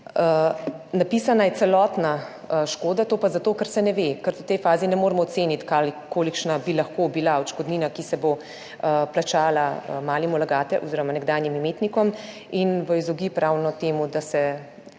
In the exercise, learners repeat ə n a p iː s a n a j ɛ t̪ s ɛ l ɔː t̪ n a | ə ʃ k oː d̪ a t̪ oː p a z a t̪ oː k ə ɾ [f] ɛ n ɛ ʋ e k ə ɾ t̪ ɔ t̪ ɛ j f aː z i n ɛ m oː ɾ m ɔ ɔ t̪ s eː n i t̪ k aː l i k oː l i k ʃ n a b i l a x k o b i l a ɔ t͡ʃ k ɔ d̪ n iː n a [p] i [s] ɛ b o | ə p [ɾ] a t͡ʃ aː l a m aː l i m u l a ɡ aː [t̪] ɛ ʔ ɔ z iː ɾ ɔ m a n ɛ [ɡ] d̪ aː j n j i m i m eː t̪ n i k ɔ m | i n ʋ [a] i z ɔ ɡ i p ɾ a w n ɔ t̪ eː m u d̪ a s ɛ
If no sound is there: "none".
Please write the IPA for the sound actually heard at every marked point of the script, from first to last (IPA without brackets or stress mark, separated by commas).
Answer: s, k, s, l, t̪, ɡ, ə